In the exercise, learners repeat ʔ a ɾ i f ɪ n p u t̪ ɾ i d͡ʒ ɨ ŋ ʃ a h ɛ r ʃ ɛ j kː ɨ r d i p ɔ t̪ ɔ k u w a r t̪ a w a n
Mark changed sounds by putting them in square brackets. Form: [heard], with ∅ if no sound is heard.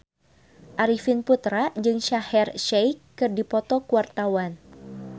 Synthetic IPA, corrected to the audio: ʔ a ɾ i f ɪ n p u t̪ ɾ [a] d͡ʒ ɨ ŋ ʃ a h ɛ r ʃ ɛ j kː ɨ r d i p ɔ t̪ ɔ k u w a r t̪ a w a n

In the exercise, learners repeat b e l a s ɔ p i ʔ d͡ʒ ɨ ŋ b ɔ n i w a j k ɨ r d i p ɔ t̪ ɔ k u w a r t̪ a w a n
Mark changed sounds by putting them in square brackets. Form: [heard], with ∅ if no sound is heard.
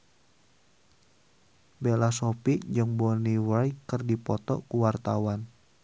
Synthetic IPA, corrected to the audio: b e l a s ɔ p i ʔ d͡ʒ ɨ ŋ b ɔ n i w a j k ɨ r d i p ɔ t̪ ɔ k u w a r t̪ a w a n

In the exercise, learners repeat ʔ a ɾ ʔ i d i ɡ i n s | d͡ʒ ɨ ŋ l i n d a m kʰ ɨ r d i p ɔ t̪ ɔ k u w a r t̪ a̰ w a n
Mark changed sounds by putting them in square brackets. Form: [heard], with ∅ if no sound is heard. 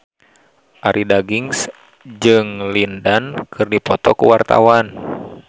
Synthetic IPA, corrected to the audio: ʔ a ɾ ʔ i d [a] ɡ i [ŋ] s | d͡ʒ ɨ ŋ l i n d a [n] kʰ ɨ r d i p ɔ t̪ ɔ k u w a r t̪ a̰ w a n

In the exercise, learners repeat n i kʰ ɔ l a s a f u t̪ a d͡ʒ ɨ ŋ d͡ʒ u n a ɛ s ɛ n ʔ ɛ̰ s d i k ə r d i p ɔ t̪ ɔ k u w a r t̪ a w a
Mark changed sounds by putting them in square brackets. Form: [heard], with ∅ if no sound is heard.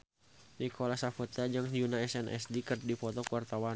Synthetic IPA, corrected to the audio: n i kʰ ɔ l a s a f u t̪ a d͡ʒ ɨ ŋ d͡ʒ u n a ɛ s ɛ n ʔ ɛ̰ s d i k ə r d i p ɔ t̪ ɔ k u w a r t̪ a w a

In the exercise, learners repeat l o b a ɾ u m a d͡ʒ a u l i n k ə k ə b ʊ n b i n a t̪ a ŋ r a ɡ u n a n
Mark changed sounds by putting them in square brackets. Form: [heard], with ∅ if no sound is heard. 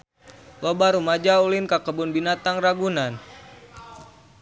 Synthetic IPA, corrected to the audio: l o b a ɾ u m a d͡ʒ a u l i n k [a] k ə b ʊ n b i n a t̪ a ŋ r a ɡ u n a n

